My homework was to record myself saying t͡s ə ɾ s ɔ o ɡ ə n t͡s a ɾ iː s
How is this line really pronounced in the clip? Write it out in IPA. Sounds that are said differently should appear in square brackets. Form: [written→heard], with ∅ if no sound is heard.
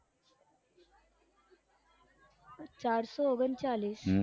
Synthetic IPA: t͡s [ə→a] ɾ s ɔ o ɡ ə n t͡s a [ɾ→l] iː s